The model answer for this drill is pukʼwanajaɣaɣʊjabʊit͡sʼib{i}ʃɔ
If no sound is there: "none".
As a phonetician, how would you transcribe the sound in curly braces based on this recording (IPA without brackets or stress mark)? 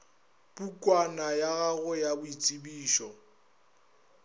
iː